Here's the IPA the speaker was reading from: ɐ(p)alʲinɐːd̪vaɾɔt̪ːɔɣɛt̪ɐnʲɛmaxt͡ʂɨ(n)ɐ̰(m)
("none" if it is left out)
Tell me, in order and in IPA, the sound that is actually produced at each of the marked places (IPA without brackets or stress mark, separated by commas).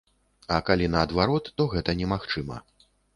k, m, none